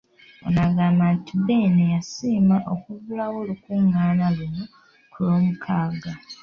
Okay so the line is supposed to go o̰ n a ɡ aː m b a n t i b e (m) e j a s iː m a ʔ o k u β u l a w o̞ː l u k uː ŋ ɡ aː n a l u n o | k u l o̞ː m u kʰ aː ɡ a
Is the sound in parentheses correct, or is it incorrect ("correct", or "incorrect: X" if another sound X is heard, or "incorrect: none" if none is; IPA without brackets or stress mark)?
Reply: incorrect: n